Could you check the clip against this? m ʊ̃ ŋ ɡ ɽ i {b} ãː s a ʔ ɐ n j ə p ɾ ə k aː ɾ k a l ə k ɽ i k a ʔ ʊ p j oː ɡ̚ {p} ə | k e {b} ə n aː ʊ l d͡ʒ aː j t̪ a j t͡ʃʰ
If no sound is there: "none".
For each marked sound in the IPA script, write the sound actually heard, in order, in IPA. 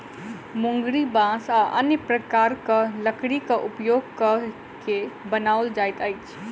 b, k, b

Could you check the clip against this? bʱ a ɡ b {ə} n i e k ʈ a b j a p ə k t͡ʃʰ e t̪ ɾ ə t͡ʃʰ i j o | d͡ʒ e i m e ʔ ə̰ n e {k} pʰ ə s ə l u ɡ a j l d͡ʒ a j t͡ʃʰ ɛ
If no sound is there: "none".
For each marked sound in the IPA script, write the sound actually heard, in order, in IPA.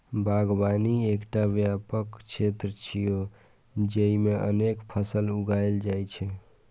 a, k

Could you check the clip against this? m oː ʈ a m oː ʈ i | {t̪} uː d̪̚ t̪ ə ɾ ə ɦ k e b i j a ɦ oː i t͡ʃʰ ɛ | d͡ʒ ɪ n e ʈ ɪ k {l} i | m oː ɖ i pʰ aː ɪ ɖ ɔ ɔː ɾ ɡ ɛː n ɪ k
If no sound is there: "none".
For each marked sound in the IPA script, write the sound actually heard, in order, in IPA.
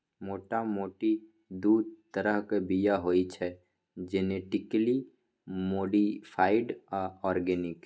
d̪, l

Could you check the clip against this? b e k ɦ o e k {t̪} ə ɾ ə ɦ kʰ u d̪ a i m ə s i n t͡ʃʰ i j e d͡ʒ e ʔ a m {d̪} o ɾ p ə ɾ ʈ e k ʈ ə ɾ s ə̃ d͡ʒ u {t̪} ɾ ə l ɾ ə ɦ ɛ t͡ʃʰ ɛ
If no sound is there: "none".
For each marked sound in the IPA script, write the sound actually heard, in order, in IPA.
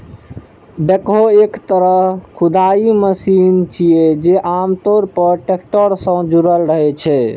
t̪, t̪, none

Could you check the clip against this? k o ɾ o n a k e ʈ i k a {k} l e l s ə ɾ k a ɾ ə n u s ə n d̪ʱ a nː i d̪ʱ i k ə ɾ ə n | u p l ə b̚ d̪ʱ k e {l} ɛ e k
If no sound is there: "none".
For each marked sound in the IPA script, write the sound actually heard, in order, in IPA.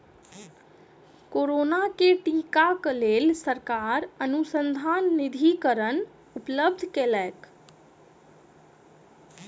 k, l

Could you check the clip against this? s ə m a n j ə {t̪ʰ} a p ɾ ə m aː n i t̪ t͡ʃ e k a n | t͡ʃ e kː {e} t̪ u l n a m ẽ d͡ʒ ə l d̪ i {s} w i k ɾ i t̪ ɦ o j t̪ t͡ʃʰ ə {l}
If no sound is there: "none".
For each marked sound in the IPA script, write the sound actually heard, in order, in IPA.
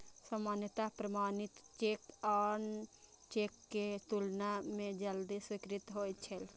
t̪, e, s, l

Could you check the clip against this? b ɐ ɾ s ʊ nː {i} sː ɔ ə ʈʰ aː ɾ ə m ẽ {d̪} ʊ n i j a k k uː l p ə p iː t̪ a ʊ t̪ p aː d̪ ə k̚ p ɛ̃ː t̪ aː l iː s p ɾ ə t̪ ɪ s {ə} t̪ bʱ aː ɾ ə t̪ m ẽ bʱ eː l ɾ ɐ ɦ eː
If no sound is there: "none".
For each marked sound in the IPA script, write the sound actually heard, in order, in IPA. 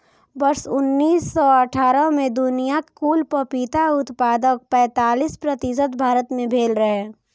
iː, d̪, ə

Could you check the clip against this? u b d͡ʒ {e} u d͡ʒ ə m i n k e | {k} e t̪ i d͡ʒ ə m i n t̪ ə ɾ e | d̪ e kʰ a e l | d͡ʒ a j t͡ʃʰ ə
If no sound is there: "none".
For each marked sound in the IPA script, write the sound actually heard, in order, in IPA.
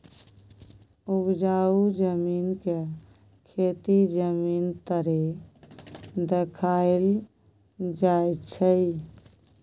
a, kʰ

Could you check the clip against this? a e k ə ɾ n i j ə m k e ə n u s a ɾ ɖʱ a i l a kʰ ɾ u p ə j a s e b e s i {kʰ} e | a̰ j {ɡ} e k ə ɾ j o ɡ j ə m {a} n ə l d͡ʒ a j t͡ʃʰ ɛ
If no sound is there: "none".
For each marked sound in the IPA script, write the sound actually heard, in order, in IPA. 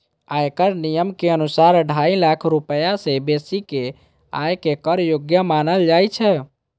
k, k, a

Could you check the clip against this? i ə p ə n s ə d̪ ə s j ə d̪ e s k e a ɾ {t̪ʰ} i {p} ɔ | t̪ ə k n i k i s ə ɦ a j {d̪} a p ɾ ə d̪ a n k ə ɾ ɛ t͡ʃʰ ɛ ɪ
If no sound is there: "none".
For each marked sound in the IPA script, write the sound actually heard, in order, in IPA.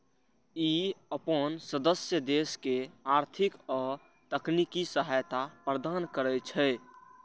t̪ʰ, k, t̪

